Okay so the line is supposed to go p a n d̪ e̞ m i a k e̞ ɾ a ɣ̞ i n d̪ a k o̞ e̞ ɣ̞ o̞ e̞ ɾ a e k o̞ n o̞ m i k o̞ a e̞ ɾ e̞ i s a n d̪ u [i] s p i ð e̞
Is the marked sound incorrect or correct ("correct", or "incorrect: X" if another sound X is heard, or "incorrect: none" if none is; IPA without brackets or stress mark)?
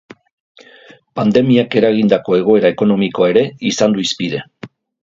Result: correct